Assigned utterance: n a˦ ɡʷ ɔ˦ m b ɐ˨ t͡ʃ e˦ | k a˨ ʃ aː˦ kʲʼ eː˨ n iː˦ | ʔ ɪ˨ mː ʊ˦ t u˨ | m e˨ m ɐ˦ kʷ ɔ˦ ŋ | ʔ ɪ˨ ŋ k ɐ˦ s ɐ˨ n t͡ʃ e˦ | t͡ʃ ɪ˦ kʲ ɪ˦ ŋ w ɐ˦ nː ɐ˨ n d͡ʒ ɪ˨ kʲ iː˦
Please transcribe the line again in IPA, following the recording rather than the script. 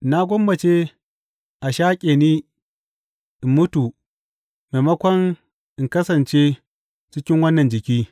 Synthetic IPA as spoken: n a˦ ɡʷ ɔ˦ m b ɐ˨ t͡ʃ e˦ | ʔ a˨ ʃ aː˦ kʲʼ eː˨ n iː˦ | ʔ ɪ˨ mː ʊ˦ t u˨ | m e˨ m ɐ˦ kʷ ɔ˦ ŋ | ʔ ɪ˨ ŋ k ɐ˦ s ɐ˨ n t͡ʃ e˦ | t͡ʃ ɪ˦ kʲ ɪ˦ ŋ w ɐ˦ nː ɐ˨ n d͡ʒ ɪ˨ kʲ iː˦